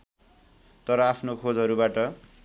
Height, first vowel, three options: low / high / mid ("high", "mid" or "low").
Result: mid